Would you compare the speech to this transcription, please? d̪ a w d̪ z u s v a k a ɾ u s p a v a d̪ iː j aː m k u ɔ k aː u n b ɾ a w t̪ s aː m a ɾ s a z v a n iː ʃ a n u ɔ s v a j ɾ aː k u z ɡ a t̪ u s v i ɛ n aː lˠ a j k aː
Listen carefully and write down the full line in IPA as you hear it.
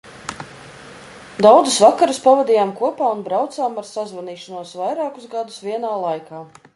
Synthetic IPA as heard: d̪ a w d̪ z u s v a k a ɾ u s p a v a d̪ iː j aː m k u ɔ p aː u n b ɾ a w t̪ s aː m a ɾ s a z v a n iː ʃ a n u ɔ s v a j ɾ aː k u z ɡ a d̪ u s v i ɛ n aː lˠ a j k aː

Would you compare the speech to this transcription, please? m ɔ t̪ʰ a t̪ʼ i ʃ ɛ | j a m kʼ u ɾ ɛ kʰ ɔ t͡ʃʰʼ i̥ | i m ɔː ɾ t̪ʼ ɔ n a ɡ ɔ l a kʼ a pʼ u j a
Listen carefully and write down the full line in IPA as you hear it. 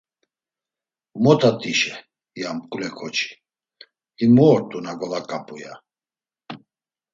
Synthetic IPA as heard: m ɔ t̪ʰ a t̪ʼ i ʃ ɛ | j a m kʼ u l ɛ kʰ ɔ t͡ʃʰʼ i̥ | i m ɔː ɾ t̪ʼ u n a ɡ ɔ l a kʼ a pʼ u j a

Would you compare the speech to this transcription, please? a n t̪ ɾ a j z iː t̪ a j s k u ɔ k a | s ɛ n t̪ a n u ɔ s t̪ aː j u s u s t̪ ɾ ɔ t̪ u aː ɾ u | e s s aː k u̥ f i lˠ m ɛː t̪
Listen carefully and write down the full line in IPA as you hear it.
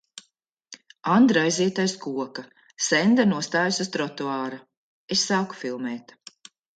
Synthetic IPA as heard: a n d̪ ɾ a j z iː t̪ a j s k u ɔ k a | s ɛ n d̪ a n u ɔ s t̪ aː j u s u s t̪ ɾ ɔ t̪ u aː ɾ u | e s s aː k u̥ f i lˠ m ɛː t̪

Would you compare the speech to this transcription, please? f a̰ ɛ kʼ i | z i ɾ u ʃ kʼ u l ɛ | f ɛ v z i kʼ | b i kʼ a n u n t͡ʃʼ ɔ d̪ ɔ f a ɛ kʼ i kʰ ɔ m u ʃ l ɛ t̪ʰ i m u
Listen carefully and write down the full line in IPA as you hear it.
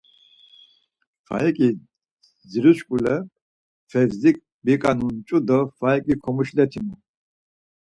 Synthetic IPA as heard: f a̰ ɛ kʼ i | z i ɾ u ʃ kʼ u l ɛ | f ɛ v z i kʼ | b i kʼ a n u n t͡ʃʼ u d̪ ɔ f a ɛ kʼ i kʰ ɔ m u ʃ l ɛ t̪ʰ i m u

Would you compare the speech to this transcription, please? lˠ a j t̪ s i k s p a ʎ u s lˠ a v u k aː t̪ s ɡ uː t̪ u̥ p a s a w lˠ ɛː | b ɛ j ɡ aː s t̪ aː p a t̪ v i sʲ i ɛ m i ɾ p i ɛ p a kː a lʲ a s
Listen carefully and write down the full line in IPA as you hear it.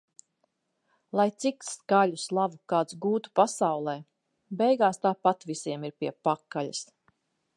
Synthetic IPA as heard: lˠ a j t̪ s i k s k a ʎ u s lˠ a v u k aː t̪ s ɡ uː t̪ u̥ p a s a w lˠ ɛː | b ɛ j ɡ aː s t̪ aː p a t̪ v i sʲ i ɛ m i ɾ p i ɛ p a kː a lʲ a s

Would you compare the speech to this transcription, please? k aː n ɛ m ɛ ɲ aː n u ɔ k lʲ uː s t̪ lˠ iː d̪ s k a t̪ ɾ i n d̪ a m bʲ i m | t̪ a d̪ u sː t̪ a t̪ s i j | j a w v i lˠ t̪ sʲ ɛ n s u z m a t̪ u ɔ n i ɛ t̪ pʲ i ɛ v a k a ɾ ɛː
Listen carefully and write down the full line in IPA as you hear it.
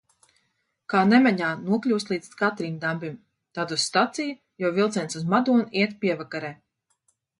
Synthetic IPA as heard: k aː n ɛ m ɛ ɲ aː n u ɔ k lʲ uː s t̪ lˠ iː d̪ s k a t̪ ɾ i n d̪ a m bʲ i m | t̪ a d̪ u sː t̪ a t̪ s i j | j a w v i lˠ t̪ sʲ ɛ n s u z m a d̪ u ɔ n i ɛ t̪ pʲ i ɛ v a k a ɾ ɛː

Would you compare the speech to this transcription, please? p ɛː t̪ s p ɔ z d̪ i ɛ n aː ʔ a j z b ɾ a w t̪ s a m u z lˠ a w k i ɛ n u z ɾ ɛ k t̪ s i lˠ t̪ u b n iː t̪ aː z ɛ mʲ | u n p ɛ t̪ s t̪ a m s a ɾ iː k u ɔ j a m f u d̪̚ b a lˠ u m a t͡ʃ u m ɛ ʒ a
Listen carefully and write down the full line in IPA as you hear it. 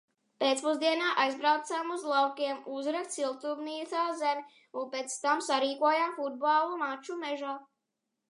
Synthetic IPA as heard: p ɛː t̪ s p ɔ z d̪ i ɛ n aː ʔ a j z b ɾ a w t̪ s a m u z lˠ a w k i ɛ m u z ɾ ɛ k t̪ s i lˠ t̪ u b n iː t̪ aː z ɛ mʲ | u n p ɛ t̪ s t̪ a m s a ɾ iː k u ɔ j a m f u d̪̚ b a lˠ u m a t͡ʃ u m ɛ ʒ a

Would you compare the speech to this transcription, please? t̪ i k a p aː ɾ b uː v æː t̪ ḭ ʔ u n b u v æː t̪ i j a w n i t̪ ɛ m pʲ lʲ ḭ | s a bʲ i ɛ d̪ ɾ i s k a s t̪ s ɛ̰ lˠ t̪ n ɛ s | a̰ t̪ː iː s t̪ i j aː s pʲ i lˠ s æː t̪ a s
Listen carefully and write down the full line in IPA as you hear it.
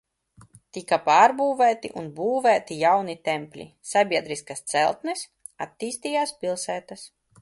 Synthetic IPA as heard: t̪ i k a p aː ɾ b uː v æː t̪ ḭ ʔ u n b uː v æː t̪ i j a w n i t̪ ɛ m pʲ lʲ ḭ | s a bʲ i ɛ d̪ ɾ i s k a s t̪ s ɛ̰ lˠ t̪ n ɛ s | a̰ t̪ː iː s t̪ i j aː s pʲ i lˠ s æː t̪ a s

